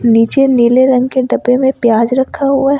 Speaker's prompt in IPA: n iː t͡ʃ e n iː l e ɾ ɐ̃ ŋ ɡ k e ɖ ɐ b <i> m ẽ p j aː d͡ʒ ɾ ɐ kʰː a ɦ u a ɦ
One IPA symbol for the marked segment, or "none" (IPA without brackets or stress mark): e